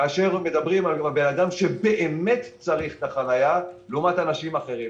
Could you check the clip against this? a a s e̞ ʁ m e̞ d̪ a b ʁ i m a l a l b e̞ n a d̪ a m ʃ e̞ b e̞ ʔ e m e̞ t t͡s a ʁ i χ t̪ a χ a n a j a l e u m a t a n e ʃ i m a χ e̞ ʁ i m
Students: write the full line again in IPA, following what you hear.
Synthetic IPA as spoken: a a ʃ e̞ ʁ m e̞ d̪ a b ʁ i m a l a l b e̞ n a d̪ a m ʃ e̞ b e̞ ʔ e m e̞ t t͡s a ʁ i χ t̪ a χ a n a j a l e u m a t a n a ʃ i m a χ e̞ ʁ i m

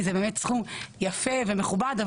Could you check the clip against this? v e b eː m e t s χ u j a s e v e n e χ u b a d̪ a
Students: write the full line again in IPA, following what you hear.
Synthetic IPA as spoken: z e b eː m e t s χ u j a f e v e m e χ u b a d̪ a

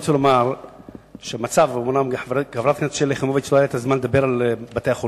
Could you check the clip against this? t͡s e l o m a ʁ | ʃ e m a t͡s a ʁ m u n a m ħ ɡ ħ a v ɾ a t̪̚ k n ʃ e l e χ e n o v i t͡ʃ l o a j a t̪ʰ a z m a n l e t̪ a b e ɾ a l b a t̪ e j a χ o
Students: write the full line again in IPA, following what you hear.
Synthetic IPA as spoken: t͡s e l o m a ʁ | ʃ e m a t͡s a v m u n a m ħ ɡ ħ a v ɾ a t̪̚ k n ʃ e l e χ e m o v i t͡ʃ l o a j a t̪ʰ a z m a n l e d̪ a b e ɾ a l b a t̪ e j a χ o

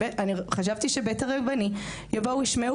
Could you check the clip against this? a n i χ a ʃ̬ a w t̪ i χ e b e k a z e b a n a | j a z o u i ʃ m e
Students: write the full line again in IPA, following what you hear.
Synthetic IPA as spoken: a n i χ a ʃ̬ a v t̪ i ʃ e b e t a ʁ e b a n i | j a v o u i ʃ m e

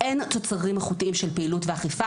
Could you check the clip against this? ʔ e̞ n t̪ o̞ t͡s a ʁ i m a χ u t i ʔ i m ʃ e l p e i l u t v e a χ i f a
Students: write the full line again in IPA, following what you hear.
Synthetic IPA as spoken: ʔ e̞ n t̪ o̞ t͡s a ʁ i m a χ u t i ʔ i m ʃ e l p e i l u t v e a χ i f a

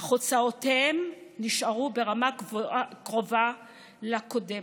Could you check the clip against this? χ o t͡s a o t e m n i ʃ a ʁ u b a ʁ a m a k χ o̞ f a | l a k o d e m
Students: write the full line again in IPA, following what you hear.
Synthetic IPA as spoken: χ o t͡s a o t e m n i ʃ a ʁ u b e ʁ a m a k ʁ o̞ v a | l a k o d e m

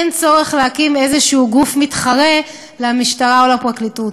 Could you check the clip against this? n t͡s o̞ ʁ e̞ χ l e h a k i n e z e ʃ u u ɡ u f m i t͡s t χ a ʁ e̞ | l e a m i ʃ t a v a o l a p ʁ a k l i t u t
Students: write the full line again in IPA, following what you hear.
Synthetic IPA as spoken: n t͡s o̞ ʁ e̞ χ l e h a k i m e z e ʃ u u ɡ u f m i t χ a ʁ e̞ | l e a m i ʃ t a ʁ a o l a p ʁ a k l i t u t

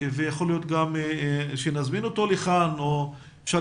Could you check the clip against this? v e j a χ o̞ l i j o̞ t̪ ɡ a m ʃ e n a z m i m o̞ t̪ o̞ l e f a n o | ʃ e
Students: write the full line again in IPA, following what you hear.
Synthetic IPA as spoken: v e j a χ o̞ l i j o̞ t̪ ɡ a m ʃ e n a z m i n o̞ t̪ o̞ l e χ a n o | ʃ a

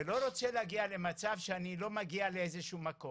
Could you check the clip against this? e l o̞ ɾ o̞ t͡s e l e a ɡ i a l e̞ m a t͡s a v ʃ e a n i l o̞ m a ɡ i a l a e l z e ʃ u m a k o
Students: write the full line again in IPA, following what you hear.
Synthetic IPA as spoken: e l o̞ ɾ o̞ t͡s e l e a ɡ i a l e̞ m a t͡s a v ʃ e a n i l o̞ m a ɡ i a l e e z e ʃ u m a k o

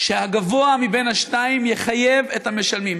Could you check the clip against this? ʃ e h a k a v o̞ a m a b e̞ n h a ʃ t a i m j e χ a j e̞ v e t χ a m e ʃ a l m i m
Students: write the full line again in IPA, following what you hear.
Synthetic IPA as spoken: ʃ e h a ɡ a v o̞ a m i b e̞ n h a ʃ t a i m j e χ a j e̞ v e t h a m e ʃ a l m i m

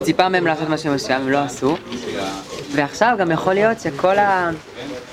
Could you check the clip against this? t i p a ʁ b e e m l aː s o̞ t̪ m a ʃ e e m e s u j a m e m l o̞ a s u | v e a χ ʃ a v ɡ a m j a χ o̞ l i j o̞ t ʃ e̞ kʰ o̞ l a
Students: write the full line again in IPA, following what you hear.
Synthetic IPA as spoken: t i p a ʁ m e e m l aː s o̞ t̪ m a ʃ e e m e s u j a m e m l o̞ a s u | v e a χ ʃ a v ɡ a m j a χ o̞ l i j o̞ t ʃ e̞ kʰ o̞ l a

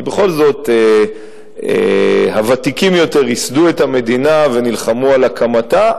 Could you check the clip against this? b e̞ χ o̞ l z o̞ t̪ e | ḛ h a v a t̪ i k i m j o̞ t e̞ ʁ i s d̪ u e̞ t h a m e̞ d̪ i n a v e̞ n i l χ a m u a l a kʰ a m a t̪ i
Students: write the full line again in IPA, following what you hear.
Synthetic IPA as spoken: b e̞ χ o̞ l z o̞ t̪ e | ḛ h a v a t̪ i k i m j o̞ t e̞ ʁ i s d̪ u e̞ t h a m e̞ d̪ i n a v e̞ n i l χ a m u a l a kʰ a m a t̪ a

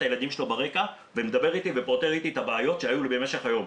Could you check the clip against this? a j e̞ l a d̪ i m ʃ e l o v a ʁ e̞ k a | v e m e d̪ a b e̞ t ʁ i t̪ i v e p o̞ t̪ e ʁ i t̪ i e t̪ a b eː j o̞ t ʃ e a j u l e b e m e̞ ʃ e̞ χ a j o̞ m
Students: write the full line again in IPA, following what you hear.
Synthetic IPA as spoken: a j e̞ l a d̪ i m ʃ e l o b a ʁ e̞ k a | v e m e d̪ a b e̞ ʁ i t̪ i v e p o̞ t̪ e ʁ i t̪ i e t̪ a b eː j o̞ t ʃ e a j u l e b e m e̞ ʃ e̞ χ a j o̞ m

